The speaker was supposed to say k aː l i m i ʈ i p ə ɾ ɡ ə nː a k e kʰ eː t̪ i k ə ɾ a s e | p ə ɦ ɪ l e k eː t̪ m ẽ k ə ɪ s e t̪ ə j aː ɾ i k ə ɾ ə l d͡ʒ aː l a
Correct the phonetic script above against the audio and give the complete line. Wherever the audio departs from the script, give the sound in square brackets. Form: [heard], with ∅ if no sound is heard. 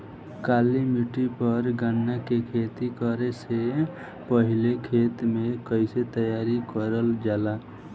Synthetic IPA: k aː l i m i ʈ i p ə ɾ ɡ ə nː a k e kʰ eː t̪ i k ə ɾ [e] s e | p ə ɦ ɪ l e [kʰ] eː t̪ m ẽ k ə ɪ s e t̪ ə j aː ɾ i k ə ɾ ə l d͡ʒ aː l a